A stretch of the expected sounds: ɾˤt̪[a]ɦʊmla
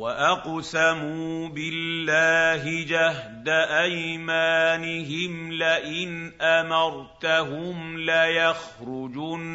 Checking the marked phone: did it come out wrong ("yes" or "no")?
no